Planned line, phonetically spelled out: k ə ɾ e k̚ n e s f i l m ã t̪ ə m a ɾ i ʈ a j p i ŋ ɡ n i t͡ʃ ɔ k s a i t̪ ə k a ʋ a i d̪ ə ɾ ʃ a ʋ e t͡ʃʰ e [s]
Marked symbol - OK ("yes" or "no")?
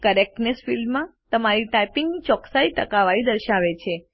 no